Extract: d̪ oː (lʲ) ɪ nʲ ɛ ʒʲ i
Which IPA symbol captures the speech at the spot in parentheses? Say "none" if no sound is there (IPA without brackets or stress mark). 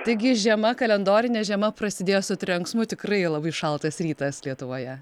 ɾʲ